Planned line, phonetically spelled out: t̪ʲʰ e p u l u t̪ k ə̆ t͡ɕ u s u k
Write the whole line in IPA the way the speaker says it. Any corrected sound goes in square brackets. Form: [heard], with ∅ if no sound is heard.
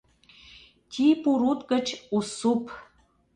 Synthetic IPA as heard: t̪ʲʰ [i] p u [ɾ] u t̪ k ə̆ t͡ɕ u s u [p]